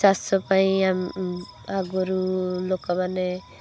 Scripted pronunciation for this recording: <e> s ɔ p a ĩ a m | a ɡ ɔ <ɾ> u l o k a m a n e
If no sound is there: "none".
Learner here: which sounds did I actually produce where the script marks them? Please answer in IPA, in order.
a, ɾ

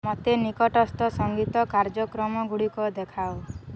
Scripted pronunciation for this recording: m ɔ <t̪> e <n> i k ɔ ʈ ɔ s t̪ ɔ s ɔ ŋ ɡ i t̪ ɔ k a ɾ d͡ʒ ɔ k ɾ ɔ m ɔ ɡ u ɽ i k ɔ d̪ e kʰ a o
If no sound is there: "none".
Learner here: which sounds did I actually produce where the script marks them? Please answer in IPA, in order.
t̪, n

